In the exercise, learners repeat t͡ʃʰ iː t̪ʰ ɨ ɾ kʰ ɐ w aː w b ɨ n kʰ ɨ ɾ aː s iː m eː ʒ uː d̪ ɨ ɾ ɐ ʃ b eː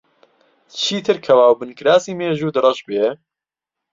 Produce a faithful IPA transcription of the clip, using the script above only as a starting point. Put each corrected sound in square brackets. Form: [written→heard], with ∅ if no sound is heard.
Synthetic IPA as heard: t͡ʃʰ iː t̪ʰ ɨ ɾ kʰ ɐ w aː w b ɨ n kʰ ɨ ɾ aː s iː m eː ʒ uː d̪ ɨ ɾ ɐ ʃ b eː